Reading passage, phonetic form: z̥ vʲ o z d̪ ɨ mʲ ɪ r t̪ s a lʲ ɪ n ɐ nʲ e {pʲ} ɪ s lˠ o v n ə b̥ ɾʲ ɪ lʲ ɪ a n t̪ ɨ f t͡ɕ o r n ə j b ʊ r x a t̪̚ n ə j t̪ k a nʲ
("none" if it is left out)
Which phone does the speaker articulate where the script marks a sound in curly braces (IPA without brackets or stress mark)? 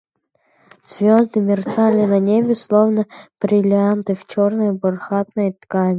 bʲ